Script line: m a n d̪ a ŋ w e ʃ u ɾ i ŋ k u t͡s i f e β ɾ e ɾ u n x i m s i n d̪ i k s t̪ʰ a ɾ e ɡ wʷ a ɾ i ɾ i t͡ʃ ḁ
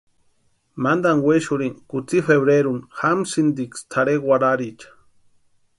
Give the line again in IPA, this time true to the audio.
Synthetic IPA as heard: m a n d̪ a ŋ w e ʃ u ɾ i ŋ k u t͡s i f e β ɾ e ɾ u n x a m s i n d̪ i k s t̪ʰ a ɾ e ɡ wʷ a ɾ a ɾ i t͡ʃ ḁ